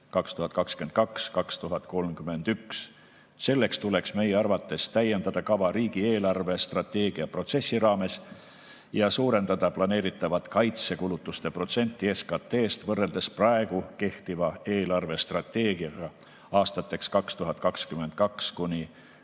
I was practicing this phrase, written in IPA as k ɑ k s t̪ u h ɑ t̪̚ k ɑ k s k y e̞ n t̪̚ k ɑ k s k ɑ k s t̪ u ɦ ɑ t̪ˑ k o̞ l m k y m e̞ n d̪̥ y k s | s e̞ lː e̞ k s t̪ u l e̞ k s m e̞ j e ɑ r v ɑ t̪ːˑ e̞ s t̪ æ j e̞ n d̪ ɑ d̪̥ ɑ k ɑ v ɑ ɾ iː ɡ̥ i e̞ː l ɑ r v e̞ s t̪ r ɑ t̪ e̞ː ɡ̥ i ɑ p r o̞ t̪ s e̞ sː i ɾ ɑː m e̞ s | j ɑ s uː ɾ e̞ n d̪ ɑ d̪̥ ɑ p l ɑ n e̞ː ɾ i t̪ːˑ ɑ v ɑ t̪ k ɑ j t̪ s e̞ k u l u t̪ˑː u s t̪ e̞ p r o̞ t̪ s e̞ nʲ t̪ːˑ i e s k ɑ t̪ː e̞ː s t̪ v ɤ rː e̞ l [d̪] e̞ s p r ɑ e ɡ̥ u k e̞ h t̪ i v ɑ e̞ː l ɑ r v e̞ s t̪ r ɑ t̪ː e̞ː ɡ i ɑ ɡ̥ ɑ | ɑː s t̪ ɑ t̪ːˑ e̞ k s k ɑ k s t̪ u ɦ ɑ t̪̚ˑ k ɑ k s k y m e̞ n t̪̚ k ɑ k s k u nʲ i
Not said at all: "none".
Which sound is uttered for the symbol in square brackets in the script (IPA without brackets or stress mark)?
d̪